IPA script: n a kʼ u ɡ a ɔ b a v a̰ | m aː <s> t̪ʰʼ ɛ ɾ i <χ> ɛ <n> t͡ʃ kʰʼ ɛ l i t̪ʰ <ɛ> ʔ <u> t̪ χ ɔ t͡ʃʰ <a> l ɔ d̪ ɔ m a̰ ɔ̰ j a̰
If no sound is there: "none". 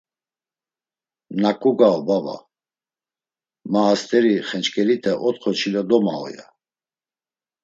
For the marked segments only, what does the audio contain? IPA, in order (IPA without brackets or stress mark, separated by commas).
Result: s, χ, n, ɛ, ɔ, i